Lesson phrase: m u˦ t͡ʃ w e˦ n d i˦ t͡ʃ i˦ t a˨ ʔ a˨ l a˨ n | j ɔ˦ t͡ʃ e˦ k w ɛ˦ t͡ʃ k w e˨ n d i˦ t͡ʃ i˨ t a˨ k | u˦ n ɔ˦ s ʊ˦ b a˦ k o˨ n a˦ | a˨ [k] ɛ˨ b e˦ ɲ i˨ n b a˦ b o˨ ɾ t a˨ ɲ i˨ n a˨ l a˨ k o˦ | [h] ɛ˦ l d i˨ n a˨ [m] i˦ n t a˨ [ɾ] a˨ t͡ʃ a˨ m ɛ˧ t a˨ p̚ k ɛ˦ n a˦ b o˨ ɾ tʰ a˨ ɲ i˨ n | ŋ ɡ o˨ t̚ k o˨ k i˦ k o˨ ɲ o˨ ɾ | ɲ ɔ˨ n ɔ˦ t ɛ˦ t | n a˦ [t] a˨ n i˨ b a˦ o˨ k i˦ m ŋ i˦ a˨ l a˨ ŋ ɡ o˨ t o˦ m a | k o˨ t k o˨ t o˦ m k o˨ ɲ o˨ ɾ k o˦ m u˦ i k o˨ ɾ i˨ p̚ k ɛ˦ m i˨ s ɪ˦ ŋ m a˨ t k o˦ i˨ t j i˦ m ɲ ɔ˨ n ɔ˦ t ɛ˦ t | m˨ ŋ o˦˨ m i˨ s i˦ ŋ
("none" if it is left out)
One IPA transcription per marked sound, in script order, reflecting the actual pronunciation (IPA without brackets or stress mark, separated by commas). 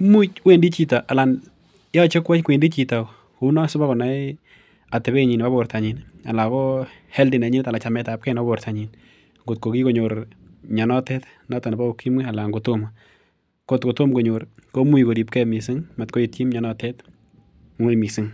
t, h, ɲ, l, t